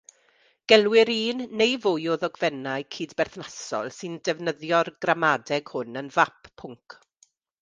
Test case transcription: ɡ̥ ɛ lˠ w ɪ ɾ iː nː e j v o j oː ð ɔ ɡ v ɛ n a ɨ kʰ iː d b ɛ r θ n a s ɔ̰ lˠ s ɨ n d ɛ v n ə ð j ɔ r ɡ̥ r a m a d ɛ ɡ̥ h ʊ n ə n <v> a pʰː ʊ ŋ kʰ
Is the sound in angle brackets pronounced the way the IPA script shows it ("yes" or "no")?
yes